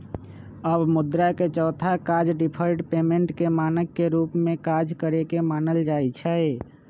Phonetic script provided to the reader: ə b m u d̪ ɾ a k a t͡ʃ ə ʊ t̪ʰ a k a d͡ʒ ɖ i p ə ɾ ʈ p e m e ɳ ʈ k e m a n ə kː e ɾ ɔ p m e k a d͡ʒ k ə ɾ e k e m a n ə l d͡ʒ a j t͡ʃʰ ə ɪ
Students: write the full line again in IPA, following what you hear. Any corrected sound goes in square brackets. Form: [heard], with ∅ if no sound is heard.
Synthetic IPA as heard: ə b m u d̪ ɾ a k [e] t͡ʃ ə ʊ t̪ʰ a k a d͡ʒ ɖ i [pʰ] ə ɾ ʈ p e m e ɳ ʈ k e m a n ə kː e ɾ [u] p m e k a d͡ʒ k ə ɾ e k e m a n ə l d͡ʒ a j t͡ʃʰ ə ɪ